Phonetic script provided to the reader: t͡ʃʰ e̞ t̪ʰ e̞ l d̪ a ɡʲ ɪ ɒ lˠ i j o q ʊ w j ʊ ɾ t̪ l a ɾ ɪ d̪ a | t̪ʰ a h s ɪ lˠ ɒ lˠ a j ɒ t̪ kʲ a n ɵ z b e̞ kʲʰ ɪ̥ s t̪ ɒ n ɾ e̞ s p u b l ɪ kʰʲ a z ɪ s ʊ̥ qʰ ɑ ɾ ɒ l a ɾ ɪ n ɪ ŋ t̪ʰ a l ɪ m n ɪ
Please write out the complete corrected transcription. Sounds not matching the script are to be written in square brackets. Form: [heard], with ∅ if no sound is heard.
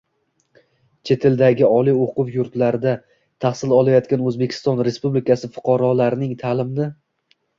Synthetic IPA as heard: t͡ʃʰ e̞ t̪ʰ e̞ l d̪ a ɡʲ ɪ ɒ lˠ i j o q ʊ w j ʊ ɾ t̪ l a ɾ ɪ d̪ a | t̪ʰ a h s ɪ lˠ ɒ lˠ a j ɒ t̪ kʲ a n ɵ z b e̞ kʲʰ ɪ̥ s t̪ ɒ n ɾ e̞ s p u b l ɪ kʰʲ a [s] ɪ [f] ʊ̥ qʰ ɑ ɾ ɒ l a ɾ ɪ n ɪ ŋ t̪ʰ a l ɪ m n ɪ

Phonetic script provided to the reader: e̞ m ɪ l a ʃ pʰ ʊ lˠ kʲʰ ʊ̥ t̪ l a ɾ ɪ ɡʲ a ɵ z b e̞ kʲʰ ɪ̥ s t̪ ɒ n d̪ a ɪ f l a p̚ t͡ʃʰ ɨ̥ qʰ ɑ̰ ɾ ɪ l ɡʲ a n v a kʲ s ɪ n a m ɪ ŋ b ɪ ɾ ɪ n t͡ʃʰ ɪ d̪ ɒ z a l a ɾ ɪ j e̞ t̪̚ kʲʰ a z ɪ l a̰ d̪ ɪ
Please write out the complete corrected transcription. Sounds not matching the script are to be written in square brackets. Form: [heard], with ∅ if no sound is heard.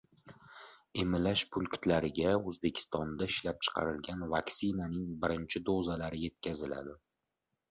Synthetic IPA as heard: e̞ m ɪ l a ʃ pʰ ʊ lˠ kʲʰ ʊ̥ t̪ l a ɾ ɪ ɡʲ a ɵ z b e̞ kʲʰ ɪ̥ s t̪ ɒ n d̪ a ɪ [ʃ] l a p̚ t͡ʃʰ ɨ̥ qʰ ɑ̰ ɾ ɪ l ɡʲ a n v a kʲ s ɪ n a [n] ɪ ŋ b ɪ ɾ ɪ n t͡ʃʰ ɪ d̪ [o] z a l a ɾ ɪ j e̞ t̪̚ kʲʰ a z ɪ l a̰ d̪ ɪ

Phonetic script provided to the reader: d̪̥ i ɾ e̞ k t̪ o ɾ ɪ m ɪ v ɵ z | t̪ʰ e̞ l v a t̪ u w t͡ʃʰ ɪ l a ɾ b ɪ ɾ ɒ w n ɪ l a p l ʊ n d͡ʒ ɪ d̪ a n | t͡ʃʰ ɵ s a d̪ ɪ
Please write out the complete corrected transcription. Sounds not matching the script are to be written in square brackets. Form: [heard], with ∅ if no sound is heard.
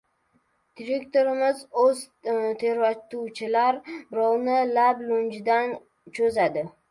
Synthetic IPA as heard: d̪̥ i ɾ e̞ k t̪ o ɾ ɪ m ɪ [z] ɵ z | t̪ʰ e̞ [ɾ] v a t̪ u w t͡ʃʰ ɪ l a ɾ b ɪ ɾ ɒ w n ɪ l a [b] l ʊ n d͡ʒ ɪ d̪ a n | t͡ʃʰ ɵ [z] a d̪ ɪ

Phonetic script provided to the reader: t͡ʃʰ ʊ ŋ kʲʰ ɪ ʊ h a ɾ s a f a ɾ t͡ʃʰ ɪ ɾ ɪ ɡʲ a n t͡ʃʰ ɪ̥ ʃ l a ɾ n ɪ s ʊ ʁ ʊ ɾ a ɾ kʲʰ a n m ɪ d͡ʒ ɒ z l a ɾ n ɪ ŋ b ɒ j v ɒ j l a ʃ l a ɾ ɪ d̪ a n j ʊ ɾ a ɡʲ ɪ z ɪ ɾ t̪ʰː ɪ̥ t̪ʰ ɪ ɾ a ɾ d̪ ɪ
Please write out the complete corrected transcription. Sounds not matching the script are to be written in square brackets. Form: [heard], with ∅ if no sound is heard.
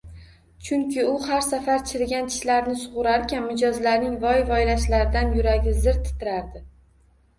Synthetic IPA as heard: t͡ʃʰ ʊ ŋ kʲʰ ɪ ʊ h a ɾ s a f a ɾ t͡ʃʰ ɪ ɾ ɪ ɡʲ a n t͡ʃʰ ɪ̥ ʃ l a ɾ n ɪ s ʊ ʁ ʊ ɾ a ɾ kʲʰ a n m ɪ d͡ʒ ɒ z l a ɾ n ɪ ŋ [v] ɒ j v ɒ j l a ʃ l a ɾ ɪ d̪ a n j ʊ ɾ a ɡʲ ɪ z ɪ ɾ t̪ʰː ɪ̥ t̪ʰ ɪ ɾ a ɾ d̪ ɪ

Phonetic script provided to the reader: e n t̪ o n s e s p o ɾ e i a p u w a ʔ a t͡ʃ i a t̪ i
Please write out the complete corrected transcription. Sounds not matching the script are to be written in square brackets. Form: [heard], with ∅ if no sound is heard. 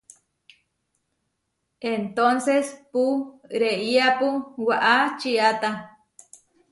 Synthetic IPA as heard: e n t̪ o n s e s p [u] ɾ e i a p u w a ʔ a t͡ʃ i a t̪ [a]

